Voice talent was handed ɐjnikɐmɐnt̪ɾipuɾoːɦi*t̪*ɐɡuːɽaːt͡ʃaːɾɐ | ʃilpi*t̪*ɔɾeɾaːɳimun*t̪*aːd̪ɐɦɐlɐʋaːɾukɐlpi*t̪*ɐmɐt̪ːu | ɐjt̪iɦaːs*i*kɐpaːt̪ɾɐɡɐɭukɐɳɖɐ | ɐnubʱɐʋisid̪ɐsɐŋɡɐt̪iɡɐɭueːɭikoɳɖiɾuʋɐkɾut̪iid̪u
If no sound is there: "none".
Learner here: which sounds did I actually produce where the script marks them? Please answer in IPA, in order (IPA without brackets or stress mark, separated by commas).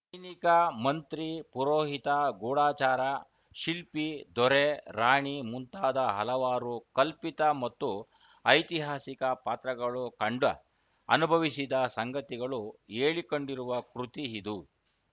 t̪, d̪, t̪, t̪, i